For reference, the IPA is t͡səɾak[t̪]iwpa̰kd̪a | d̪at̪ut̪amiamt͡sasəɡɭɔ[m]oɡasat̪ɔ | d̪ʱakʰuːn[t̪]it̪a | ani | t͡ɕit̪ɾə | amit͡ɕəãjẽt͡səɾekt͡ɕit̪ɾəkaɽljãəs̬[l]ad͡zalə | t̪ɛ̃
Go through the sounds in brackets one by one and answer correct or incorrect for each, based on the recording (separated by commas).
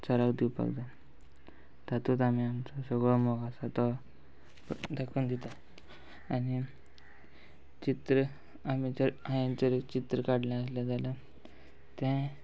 incorrect, correct, incorrect, correct